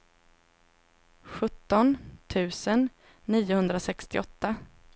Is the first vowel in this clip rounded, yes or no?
yes